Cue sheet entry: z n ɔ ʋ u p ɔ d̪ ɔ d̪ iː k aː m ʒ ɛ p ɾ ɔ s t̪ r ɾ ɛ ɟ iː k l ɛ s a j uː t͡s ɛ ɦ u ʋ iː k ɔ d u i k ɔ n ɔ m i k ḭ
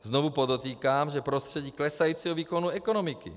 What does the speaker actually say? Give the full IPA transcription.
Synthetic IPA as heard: z n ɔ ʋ u p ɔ d̪ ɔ t̪ iː k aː m ʒ ɛ p ɾ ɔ s t̪ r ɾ ɛ ɟ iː k l ɛ s a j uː t͡s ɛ ɦ ɔ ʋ iː k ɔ n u ɛ k ɔ n ɔ m i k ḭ